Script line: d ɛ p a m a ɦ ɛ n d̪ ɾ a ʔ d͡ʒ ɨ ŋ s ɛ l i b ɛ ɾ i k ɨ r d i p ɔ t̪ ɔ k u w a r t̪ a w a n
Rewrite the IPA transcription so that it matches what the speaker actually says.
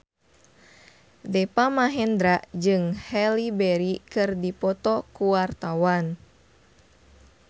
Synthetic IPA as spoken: d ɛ p a m a ɦ ɛ n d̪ ɾ a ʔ d͡ʒ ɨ ŋ h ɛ l i b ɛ ɾ i k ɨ r d i p ɔ t̪ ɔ k u w a r t̪ a w a n